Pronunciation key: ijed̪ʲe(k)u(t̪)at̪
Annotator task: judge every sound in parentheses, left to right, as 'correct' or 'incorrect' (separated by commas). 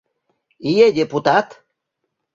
incorrect, correct